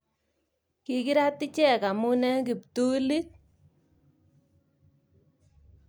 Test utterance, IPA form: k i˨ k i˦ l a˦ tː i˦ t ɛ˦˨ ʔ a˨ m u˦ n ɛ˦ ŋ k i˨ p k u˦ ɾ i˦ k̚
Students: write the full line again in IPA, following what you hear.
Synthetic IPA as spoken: k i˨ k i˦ ɾ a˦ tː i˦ t͡ʃ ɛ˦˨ k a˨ m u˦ n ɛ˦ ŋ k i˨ p t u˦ l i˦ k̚